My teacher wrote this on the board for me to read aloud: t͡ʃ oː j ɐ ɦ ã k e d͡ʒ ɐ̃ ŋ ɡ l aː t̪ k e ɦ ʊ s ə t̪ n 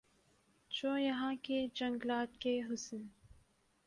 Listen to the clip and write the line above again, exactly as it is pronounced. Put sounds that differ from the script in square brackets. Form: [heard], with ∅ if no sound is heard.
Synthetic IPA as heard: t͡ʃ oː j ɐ ɦ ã k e d͡ʒ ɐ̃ ŋ ɡ l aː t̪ k e ɦ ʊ s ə [∅] n